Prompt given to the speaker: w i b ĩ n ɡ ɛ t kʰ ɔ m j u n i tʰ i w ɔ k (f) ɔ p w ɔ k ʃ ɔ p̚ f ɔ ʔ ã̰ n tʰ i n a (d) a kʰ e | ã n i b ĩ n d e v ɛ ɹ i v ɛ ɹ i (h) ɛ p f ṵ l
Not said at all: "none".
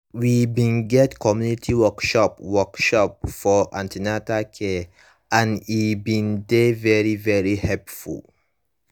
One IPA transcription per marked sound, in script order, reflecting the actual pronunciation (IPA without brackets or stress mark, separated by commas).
ʃ, t, h